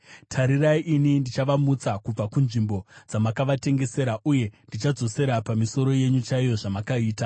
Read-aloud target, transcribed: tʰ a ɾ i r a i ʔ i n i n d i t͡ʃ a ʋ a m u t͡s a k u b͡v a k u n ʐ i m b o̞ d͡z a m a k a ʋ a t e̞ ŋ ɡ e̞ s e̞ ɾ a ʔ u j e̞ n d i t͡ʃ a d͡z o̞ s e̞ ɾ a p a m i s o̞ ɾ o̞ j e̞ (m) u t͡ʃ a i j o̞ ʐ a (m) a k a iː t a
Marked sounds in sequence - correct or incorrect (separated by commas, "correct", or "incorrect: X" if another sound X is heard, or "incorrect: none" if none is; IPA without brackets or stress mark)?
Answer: incorrect: ɲ, correct